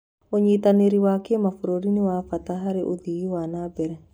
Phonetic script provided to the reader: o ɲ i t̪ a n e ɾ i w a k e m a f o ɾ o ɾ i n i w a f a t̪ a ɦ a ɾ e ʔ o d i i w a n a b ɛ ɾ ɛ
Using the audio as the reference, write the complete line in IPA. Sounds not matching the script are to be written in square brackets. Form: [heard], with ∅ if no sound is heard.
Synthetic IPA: o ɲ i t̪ a n e ɾ i w a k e m a f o ɾ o ɾ i n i w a f a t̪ a ɦ a ɾ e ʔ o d i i w a n a b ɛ ɾ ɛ